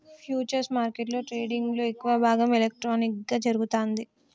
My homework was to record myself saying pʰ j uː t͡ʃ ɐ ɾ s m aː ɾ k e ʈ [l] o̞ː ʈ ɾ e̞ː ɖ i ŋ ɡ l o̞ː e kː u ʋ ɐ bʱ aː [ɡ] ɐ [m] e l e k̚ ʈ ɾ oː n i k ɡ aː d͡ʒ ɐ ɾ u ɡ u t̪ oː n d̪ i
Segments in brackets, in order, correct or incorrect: correct, correct, correct

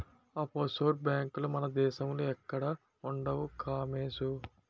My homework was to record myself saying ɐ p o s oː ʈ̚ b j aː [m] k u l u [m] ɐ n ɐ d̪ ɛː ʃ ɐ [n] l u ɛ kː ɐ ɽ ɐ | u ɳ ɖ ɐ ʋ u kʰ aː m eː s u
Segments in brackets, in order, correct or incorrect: incorrect, correct, incorrect

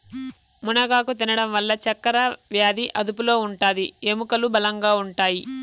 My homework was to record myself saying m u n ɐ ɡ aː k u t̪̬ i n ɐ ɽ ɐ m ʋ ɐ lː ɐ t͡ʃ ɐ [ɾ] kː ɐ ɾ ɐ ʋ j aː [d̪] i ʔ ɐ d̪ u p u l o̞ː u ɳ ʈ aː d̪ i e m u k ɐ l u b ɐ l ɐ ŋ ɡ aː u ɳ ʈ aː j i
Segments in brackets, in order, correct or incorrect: incorrect, correct

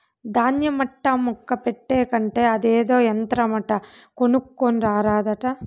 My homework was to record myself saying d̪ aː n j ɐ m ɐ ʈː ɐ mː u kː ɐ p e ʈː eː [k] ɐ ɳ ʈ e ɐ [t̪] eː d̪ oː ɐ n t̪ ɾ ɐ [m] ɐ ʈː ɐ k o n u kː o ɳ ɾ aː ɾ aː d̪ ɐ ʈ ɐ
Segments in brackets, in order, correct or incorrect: correct, incorrect, correct

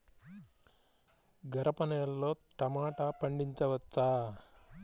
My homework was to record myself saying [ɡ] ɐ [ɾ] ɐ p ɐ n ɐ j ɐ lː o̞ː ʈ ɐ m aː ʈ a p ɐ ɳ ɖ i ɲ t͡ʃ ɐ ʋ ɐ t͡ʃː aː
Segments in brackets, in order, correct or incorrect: correct, correct

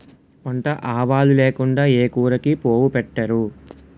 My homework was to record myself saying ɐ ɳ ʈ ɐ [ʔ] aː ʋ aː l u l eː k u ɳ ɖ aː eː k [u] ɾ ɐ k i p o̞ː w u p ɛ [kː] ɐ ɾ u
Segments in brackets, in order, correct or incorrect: correct, incorrect, incorrect

